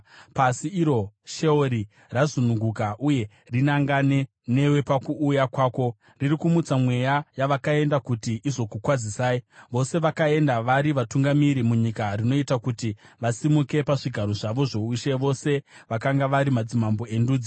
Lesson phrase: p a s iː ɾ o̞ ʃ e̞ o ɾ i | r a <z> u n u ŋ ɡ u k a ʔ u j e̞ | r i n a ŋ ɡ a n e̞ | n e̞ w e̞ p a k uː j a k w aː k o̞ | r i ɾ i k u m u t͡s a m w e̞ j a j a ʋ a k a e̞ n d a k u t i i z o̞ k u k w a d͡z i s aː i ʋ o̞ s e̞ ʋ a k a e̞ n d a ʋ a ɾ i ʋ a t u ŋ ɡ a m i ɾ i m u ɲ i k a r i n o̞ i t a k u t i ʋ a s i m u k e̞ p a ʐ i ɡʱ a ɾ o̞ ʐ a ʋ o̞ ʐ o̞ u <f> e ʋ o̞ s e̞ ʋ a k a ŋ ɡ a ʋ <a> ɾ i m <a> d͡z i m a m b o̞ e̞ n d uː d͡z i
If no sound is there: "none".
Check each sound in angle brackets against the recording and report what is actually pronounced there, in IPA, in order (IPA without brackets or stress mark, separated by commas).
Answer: z, ʃ, a, a